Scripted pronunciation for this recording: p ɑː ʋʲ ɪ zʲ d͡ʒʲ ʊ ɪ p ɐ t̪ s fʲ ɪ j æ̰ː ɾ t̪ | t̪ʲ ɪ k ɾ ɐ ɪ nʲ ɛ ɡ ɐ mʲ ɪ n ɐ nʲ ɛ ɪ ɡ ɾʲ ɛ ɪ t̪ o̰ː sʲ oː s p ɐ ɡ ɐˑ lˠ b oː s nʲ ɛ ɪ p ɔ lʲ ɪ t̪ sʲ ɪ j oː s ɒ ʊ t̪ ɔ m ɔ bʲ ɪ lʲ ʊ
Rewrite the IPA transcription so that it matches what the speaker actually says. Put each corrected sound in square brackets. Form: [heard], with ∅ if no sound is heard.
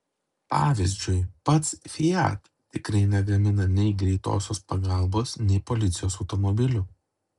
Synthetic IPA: p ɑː ʋʲ ɪ zʲ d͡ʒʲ ʊ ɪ p ɐ t̪ s fʲ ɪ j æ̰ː [∅] t̪ | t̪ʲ ɪ k ɾ ɐ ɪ nʲ ɛ ɡ ɐ mʲ ɪ n ɐ nʲ ɛ ɪ ɡ ɾʲ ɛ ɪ t̪ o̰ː sʲ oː s p ɐ ɡ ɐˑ lˠ b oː s nʲ ɛ ɪ p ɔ lʲ ɪ t̪ sʲ ɪ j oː s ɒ ʊ t̪ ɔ m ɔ bʲ ɪ lʲ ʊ